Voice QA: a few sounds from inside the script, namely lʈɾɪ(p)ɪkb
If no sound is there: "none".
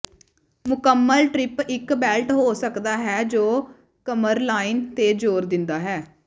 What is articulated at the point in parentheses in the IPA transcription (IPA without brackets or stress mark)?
p